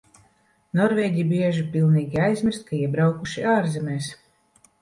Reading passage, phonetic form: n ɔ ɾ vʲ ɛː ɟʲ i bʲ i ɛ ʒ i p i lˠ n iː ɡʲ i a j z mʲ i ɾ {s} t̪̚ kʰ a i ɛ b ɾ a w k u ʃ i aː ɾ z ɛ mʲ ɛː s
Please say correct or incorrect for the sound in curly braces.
correct